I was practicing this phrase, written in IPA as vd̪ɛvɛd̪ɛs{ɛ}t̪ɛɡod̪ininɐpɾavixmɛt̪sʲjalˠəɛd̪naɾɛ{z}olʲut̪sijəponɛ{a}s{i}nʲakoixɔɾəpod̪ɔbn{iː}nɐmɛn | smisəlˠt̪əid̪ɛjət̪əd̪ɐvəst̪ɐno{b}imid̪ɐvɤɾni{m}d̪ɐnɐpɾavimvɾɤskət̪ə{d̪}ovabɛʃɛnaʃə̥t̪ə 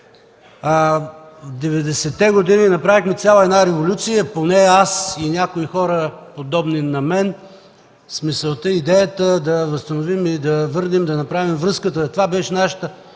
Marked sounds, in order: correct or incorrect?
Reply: correct, incorrect, correct, correct, incorrect, incorrect, correct, incorrect

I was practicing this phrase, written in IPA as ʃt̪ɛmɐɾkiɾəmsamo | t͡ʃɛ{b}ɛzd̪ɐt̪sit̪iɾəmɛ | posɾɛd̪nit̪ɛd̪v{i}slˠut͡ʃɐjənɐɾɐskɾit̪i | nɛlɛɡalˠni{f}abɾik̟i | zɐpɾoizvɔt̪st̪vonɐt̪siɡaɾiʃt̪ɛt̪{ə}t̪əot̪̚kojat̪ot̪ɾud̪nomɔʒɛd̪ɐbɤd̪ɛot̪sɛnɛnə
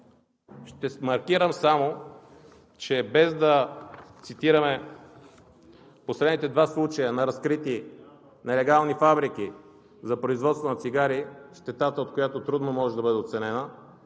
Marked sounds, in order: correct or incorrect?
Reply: correct, incorrect, correct, incorrect

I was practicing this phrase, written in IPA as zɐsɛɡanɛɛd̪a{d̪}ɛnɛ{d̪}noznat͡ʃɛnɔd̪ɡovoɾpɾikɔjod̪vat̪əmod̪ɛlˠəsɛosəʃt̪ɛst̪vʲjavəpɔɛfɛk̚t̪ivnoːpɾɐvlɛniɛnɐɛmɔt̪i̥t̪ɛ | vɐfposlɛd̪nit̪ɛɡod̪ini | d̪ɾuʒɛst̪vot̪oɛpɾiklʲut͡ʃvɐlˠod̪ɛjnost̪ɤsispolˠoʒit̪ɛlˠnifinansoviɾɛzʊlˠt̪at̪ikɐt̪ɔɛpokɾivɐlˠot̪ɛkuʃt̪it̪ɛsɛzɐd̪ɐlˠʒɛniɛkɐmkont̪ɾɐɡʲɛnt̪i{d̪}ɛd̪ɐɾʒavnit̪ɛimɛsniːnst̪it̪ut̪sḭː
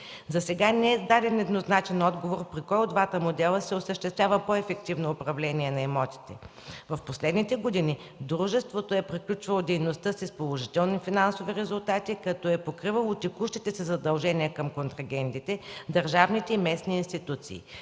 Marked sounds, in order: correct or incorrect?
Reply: correct, correct, incorrect

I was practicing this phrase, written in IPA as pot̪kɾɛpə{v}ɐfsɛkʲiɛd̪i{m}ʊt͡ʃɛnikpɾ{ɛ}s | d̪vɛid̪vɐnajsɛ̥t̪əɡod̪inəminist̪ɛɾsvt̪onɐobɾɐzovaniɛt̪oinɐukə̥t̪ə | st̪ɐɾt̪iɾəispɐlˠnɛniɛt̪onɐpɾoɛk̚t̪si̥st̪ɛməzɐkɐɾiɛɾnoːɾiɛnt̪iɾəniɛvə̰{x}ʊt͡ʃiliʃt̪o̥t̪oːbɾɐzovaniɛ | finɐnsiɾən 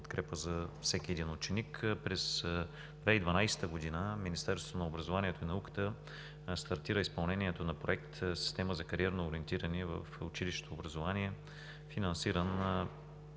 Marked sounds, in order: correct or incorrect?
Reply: incorrect, incorrect, correct, incorrect

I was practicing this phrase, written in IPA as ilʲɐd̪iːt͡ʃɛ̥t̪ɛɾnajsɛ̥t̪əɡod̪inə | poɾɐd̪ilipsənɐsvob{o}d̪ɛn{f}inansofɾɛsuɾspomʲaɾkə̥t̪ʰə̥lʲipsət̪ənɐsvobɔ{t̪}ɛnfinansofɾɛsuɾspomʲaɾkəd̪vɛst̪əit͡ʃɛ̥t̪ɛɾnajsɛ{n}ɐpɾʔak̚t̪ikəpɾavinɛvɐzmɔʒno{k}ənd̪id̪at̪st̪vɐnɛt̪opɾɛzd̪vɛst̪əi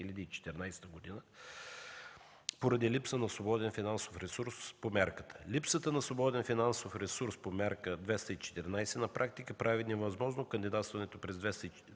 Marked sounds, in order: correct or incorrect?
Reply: incorrect, correct, incorrect, correct, correct

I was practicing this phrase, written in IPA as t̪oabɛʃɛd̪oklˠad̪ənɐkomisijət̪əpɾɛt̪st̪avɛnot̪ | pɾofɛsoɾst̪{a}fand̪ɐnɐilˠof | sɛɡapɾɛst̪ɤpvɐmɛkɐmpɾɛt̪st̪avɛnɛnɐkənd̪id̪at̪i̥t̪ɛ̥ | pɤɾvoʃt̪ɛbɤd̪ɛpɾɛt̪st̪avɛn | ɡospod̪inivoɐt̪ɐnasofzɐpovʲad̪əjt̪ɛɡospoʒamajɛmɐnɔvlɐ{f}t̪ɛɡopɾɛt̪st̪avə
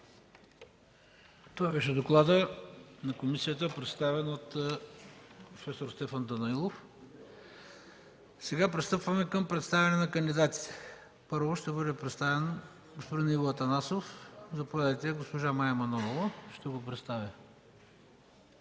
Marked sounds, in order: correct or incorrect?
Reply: incorrect, incorrect

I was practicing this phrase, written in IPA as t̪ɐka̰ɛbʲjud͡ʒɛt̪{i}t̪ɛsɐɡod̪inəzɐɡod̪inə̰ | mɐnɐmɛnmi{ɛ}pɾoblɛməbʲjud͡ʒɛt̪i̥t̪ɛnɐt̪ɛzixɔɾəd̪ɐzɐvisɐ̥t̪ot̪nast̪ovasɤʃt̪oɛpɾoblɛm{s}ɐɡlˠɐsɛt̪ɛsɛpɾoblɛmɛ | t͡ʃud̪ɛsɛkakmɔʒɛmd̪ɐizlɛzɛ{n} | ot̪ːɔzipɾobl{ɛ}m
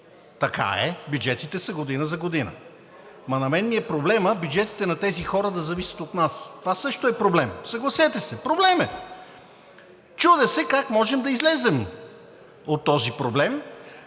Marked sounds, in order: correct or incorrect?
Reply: correct, correct, correct, incorrect, correct

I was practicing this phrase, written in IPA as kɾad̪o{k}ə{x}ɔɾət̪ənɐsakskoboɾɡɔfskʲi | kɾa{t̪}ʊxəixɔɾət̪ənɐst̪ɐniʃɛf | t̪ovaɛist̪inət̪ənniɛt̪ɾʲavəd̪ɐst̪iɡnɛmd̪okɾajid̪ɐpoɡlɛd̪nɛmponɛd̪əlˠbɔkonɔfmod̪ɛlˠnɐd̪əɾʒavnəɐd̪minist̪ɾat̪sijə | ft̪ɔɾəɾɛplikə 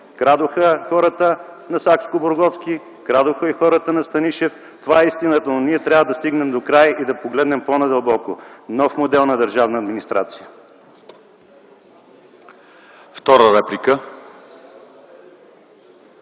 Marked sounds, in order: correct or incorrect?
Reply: incorrect, correct, incorrect

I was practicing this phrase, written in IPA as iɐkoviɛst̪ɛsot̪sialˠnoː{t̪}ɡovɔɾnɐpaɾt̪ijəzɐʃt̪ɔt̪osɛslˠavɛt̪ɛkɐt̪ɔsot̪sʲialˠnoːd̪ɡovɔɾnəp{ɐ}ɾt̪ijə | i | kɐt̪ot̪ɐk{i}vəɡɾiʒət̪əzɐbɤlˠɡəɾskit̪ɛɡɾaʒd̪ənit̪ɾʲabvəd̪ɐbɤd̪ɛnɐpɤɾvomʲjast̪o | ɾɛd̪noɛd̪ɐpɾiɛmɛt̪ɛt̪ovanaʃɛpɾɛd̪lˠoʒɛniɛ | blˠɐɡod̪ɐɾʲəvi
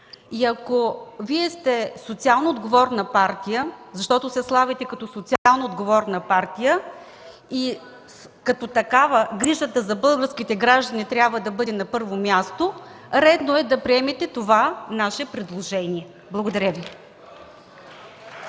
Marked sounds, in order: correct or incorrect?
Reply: incorrect, incorrect, incorrect

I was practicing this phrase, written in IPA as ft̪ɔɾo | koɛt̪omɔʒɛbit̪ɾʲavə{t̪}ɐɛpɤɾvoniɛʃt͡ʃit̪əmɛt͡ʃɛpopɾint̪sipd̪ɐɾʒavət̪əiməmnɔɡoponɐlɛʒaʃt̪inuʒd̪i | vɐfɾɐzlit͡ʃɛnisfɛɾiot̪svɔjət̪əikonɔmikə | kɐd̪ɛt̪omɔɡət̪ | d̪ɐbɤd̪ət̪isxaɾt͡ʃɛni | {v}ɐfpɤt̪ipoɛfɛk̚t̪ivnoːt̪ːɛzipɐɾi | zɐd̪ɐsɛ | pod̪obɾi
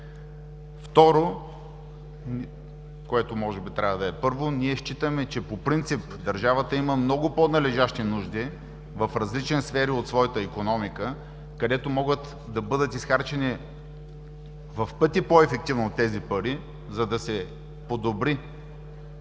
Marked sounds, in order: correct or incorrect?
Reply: incorrect, correct

